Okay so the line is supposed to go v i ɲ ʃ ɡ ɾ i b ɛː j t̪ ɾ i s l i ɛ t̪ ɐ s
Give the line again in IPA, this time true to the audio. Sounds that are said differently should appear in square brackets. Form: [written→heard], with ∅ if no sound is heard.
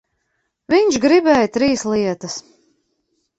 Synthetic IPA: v i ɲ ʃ ɡ ɾ i b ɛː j t̪ ɾ [i→iː] s l i ɛ t̪ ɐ s